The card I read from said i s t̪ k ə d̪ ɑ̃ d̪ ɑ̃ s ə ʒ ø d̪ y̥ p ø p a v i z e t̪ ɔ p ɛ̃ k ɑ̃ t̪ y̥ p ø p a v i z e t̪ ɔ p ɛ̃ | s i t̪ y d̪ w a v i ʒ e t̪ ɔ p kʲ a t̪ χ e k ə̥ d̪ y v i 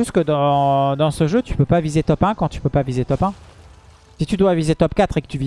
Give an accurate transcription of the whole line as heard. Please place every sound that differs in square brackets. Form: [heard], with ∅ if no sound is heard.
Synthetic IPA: [y] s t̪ k ə d̪ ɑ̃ d̪ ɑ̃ s ə ʒ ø [t̪] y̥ p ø p a v i z e t̪ ɔ p ɛ̃ k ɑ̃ t̪ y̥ p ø p a v i z e t̪ ɔ p ɛ̃ | s i t̪ y d̪ w a v i [z] e t̪ ɔ p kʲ a t̪ χ e k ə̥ [t̪] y v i